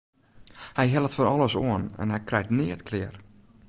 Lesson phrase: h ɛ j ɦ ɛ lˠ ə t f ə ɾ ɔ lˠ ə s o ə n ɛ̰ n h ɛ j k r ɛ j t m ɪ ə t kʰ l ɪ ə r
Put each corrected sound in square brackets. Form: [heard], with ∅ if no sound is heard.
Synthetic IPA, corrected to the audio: h ɛ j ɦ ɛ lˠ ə t f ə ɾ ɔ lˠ ə s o ə n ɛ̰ n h ɛ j k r ɛ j t [n] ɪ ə t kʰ l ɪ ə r

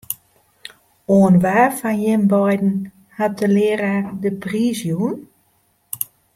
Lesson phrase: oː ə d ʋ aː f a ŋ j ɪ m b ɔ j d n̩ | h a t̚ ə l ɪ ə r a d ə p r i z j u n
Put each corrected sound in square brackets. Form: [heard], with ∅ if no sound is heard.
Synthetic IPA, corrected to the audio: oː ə [n] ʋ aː f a [n] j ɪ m b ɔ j d n̩ | h a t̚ ə l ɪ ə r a d ə p r i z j u n

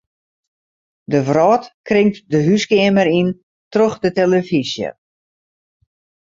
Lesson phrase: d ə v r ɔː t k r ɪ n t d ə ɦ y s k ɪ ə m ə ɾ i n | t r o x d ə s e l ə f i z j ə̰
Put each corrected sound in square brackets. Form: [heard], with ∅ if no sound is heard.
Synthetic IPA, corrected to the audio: d ə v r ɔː t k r ɪ [ŋ] t d ə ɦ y s k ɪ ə m ə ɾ i n | t r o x d ə [t] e l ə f i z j ə̰

